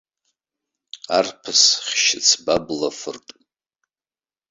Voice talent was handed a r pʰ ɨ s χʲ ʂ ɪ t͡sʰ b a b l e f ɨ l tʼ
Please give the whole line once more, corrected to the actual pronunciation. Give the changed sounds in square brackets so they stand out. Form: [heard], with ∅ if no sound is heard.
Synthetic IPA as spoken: a r pʰ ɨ s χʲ [ʃ] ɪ t͡sʰ b a b l [a] f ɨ [r] tʼ

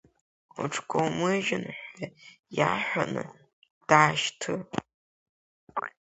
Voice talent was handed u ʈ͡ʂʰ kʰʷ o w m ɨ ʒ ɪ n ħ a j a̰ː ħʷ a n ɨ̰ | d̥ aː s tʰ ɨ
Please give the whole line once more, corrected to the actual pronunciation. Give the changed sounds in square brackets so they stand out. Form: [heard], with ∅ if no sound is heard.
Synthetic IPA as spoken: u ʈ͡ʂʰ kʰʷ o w m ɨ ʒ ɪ n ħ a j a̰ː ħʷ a n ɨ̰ | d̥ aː [ʃ] tʰ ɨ

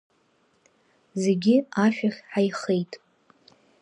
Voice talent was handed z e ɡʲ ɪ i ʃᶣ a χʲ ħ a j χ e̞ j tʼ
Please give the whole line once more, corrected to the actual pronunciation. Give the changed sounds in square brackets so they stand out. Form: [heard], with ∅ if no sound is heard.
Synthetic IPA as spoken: z e ɡʲ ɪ [a] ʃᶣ a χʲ ħ a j χ e̞ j tʼ

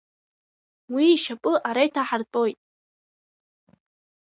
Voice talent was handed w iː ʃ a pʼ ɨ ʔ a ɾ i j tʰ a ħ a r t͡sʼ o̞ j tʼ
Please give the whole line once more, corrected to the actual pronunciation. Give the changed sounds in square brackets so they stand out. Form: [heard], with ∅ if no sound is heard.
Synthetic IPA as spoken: w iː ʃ a pʼ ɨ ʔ a ɾ [a] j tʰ a ħ a r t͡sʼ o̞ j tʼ

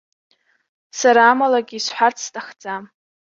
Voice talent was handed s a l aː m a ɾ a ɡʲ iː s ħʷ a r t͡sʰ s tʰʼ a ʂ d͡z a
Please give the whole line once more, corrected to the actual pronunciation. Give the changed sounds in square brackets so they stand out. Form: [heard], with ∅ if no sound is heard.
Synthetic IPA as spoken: s a [ɾ] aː m a [l] a ɡʲ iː s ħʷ a r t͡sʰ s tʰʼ a [χ] d͡z a

